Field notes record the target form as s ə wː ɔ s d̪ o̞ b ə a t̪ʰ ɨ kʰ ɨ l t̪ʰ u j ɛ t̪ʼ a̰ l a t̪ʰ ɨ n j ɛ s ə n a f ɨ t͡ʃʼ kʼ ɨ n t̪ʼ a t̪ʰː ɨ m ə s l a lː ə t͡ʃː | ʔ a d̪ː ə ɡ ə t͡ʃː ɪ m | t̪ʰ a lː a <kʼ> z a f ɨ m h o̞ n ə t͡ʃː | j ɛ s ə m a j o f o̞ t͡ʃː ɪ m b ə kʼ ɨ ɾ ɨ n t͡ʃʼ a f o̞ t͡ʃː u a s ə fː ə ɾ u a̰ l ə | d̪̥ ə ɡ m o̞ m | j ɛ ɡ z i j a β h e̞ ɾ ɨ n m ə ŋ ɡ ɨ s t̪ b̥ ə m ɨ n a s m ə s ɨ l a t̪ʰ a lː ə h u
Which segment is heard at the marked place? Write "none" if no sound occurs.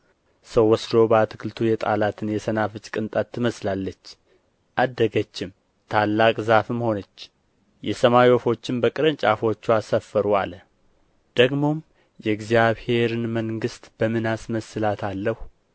kʼ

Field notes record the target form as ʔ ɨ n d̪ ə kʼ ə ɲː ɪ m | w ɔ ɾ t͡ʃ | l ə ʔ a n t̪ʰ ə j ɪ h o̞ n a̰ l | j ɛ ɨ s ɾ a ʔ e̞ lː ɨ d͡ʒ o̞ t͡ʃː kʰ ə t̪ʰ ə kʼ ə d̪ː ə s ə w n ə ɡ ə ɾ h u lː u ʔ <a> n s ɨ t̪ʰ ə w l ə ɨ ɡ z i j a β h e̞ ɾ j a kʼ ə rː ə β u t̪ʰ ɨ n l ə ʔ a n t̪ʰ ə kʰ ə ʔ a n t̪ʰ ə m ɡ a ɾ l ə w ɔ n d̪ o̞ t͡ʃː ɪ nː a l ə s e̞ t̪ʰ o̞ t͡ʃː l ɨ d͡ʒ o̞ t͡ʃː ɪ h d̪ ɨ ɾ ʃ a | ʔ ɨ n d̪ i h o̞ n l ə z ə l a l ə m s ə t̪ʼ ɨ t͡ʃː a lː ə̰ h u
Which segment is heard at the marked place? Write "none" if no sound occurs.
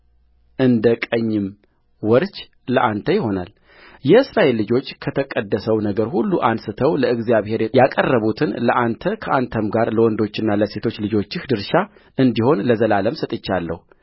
a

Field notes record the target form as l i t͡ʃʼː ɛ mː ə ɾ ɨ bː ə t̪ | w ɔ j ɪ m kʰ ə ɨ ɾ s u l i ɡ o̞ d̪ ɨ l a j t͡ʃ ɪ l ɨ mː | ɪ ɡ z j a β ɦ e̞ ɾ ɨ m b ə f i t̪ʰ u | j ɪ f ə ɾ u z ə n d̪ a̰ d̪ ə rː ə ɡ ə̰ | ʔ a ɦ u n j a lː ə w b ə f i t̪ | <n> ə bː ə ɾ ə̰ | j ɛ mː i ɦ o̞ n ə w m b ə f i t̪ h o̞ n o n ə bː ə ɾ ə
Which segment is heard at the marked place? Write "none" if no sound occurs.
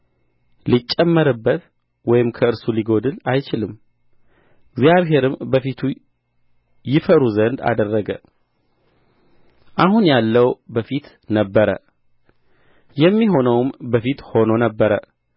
n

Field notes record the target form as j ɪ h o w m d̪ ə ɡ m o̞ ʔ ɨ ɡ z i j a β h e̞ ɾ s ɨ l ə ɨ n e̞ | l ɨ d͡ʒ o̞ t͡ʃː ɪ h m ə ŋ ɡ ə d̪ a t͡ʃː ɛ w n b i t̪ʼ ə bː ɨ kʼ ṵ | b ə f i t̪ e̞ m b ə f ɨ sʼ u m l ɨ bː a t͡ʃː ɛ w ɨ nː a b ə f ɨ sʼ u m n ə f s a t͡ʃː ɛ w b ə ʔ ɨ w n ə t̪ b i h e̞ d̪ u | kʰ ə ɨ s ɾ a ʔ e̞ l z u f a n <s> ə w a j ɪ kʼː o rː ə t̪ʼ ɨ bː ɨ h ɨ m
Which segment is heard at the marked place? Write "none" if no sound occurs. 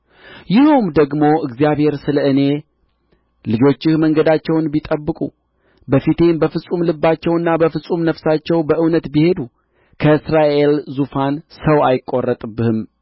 s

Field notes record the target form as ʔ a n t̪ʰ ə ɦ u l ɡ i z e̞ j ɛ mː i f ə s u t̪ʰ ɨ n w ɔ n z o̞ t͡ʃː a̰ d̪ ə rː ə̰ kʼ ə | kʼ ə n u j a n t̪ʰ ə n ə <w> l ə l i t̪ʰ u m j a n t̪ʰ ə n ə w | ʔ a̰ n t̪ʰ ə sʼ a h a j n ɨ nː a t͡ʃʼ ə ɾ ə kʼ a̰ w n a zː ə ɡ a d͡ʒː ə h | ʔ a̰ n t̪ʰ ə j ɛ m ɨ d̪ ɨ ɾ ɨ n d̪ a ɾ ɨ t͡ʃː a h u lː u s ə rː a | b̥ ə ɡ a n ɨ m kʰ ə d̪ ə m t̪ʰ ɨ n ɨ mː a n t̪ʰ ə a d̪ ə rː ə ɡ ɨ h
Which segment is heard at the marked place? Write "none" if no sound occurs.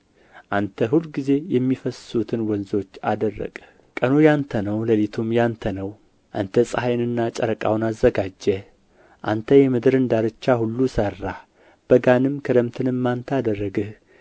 w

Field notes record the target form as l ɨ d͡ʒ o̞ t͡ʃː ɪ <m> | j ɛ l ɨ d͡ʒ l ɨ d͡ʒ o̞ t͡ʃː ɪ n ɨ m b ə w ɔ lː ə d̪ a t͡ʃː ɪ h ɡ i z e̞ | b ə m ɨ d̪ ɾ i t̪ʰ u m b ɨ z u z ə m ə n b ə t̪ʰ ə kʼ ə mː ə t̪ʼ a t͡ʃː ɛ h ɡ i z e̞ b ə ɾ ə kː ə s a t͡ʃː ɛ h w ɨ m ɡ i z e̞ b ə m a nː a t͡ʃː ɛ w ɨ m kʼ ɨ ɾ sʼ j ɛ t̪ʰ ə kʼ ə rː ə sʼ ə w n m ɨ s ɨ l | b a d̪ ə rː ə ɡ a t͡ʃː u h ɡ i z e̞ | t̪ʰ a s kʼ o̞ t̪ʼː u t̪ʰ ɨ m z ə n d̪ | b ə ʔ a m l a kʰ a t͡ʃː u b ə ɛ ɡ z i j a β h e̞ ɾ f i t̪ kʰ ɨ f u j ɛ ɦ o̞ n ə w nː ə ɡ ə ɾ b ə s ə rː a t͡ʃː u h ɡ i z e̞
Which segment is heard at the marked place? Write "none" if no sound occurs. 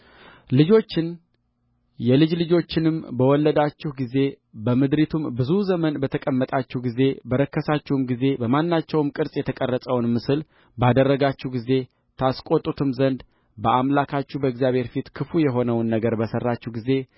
n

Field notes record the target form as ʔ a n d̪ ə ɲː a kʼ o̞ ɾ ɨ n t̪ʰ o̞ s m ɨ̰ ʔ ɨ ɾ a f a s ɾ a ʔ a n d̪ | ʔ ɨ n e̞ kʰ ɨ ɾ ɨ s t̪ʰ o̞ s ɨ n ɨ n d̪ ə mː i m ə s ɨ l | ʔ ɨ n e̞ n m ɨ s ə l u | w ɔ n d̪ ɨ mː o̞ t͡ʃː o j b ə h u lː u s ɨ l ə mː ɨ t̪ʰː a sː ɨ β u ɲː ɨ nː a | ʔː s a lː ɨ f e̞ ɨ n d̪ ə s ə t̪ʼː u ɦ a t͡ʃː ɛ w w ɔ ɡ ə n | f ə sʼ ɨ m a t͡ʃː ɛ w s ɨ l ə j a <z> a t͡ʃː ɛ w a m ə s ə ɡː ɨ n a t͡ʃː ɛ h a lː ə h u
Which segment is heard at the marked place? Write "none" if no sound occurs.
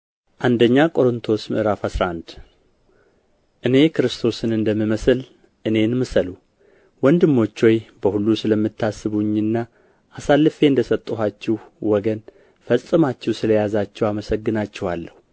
z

